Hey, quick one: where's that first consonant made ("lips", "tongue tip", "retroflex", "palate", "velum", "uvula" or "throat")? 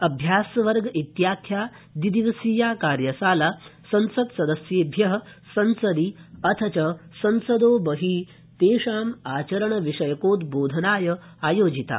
lips